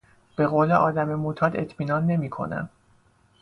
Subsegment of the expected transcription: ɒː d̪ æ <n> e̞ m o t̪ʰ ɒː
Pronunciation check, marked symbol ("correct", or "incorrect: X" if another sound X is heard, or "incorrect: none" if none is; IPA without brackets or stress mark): incorrect: m